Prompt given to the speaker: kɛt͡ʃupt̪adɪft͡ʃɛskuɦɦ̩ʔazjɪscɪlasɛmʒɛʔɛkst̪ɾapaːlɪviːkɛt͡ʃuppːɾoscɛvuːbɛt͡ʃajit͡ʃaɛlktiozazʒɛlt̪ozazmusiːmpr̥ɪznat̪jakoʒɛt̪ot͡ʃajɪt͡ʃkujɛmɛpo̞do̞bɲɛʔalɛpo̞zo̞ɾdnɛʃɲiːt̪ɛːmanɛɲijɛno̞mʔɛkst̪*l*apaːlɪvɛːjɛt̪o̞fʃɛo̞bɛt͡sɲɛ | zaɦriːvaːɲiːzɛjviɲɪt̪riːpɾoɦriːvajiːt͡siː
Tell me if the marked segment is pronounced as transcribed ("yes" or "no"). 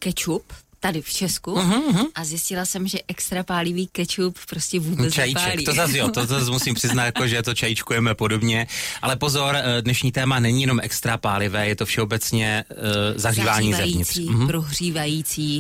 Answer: no